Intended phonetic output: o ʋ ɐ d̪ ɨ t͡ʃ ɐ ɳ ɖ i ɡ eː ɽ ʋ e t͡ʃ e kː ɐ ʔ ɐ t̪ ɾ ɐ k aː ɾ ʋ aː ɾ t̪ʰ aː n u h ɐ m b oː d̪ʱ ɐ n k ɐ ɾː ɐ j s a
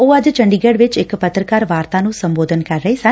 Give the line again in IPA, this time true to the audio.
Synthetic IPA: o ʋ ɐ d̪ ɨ t͡ʃ ɐ ɳ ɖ i ɡ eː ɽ ʋ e t͡ʃ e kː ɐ p ɐ t̪ ɾ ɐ k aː ɾ ʋ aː ɾ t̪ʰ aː n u s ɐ m b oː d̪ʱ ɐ n k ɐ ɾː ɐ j s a